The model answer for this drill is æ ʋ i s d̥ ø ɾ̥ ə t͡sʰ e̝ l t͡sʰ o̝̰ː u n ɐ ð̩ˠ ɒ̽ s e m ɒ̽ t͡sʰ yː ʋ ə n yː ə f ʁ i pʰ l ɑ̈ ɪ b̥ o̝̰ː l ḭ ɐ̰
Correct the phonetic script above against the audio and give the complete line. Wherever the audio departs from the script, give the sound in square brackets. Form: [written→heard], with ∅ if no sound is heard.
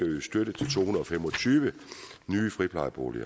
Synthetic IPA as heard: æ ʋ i s d̥ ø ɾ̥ ə t͡sʰ e̝ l t͡sʰ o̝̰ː u n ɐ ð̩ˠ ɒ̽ [s→f] e m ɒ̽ t͡sʰ yː ʋ ə n yː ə f ʁ i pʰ l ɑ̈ ɪ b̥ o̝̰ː l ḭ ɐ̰